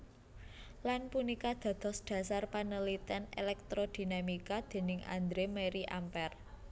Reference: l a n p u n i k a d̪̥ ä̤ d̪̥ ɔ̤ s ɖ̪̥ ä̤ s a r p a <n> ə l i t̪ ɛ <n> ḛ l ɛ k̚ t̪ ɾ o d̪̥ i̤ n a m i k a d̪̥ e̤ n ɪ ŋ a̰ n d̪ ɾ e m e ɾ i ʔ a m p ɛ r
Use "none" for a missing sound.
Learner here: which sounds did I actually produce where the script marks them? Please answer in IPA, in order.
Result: n, n

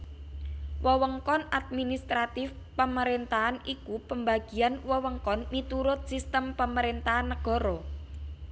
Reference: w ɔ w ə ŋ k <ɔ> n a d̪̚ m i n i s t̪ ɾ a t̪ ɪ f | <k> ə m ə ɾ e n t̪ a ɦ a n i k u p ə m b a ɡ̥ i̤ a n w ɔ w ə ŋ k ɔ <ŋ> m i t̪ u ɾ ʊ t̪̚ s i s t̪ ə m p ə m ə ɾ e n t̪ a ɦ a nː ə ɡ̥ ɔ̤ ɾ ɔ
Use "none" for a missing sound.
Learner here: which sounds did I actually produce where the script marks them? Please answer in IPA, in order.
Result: ɔ, p, n

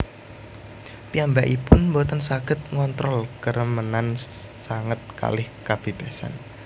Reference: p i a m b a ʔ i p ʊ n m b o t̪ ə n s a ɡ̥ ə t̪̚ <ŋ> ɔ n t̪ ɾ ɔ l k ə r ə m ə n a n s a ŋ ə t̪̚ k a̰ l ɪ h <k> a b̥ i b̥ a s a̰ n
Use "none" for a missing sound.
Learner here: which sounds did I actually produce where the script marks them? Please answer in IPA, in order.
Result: ŋ, k

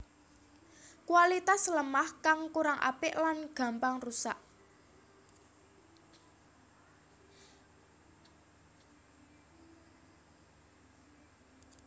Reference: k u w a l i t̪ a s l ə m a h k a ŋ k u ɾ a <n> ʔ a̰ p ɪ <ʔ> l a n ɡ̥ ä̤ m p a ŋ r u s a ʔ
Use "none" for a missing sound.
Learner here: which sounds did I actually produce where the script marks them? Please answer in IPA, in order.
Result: ŋ, ʔ

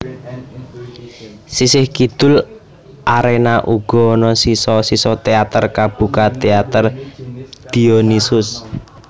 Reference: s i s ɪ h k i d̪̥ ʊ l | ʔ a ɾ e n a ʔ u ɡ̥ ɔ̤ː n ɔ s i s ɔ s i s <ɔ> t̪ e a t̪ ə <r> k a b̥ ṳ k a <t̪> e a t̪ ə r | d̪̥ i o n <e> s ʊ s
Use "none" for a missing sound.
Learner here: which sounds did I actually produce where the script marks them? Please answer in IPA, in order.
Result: ɔ, r, t̪, i

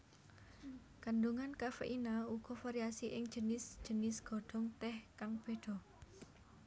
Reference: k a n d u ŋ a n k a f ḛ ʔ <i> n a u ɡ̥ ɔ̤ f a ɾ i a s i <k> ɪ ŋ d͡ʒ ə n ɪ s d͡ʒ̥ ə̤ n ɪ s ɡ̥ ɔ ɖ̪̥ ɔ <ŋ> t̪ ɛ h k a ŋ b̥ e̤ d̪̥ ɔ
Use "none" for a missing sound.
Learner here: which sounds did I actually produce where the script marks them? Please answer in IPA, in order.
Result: i, ʔ, ŋ

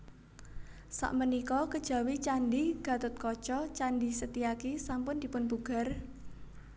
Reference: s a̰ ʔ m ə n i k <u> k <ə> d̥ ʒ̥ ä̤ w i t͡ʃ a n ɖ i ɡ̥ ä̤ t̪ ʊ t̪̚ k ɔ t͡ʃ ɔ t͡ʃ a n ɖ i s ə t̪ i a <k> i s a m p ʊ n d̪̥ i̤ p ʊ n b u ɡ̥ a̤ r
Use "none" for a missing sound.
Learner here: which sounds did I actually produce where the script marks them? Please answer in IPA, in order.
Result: ɔ, ə, k

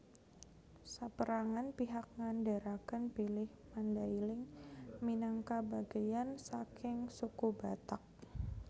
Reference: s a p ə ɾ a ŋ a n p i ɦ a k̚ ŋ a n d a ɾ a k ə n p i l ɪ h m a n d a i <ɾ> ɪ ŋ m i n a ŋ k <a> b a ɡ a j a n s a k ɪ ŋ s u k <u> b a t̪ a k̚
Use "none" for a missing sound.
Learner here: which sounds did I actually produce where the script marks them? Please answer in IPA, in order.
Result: l, a, u

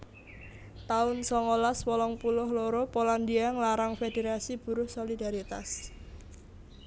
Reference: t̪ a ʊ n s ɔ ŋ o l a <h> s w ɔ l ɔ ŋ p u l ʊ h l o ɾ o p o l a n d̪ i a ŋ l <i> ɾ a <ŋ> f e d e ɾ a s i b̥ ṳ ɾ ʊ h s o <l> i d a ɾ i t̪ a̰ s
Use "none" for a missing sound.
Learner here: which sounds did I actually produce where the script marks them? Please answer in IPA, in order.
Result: none, a, ŋ, l

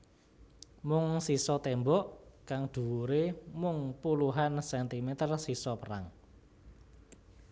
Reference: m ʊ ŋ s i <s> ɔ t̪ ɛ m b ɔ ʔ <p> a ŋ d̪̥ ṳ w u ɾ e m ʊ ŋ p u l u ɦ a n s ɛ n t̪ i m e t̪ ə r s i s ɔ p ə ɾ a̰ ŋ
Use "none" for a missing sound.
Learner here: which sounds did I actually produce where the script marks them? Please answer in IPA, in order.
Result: s, k

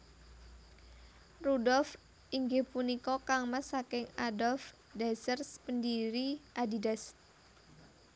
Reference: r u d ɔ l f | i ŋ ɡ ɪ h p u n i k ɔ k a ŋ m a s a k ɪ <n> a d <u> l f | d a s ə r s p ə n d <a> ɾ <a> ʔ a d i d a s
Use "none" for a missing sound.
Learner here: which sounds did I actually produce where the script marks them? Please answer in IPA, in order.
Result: ŋ, ɔ, i, i

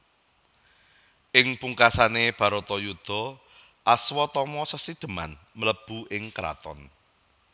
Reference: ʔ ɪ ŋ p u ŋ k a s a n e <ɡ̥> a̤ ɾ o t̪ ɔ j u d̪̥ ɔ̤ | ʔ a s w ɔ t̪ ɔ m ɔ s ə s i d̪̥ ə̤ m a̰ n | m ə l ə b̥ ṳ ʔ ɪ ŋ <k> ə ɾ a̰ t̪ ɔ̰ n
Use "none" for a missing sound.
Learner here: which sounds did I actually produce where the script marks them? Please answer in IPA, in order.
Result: b̥, k

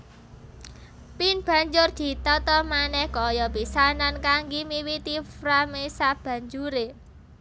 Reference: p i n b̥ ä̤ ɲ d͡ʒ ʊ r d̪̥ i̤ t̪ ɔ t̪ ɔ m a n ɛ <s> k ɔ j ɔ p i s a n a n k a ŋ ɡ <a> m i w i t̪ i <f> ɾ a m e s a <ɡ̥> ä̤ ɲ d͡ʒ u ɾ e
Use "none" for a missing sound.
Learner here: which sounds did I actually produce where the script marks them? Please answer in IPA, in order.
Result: h, i, f, b̥

